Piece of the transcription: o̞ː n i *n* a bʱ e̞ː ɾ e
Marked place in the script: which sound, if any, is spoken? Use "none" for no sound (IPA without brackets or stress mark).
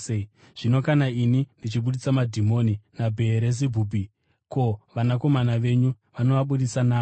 n